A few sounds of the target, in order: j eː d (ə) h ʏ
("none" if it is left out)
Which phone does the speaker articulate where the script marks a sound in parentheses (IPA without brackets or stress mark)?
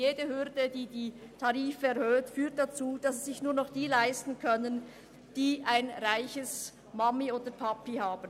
ə